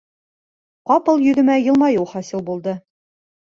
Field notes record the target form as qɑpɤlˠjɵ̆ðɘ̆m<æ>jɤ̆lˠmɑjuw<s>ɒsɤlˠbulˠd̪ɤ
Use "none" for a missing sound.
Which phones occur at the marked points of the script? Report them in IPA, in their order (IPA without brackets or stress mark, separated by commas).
æ, χ